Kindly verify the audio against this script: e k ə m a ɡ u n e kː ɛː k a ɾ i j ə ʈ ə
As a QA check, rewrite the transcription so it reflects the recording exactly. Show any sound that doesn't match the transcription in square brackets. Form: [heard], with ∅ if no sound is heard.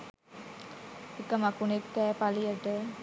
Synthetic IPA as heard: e k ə m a [k] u n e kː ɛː [p] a [l] i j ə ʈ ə